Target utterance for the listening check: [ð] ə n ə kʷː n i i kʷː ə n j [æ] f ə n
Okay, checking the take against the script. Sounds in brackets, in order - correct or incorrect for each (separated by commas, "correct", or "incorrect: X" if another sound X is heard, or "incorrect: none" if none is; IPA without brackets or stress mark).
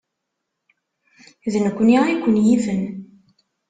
correct, incorrect: i